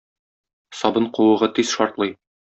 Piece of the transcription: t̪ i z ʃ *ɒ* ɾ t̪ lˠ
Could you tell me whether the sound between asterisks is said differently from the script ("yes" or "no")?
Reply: no